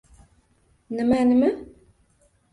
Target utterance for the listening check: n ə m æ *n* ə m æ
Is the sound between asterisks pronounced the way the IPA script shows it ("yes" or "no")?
yes